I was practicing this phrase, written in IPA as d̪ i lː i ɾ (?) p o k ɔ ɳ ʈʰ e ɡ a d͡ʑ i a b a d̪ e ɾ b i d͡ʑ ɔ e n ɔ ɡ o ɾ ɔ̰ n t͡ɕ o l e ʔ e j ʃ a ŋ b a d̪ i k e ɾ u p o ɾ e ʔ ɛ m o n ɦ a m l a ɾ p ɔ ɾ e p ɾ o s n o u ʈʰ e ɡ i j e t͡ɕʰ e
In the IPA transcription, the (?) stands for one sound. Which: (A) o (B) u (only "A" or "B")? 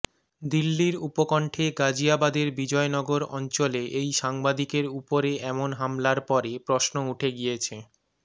B